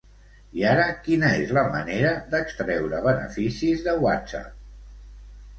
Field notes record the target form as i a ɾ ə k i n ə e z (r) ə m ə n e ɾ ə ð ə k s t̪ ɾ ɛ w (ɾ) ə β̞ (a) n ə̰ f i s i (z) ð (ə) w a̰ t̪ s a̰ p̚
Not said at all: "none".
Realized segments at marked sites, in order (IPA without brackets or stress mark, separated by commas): l, ɾ, ə, z, ə